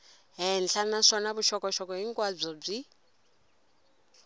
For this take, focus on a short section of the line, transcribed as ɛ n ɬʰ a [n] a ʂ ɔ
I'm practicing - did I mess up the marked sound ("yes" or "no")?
no